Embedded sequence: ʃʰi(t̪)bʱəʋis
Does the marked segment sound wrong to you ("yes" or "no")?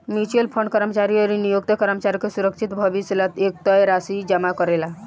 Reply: no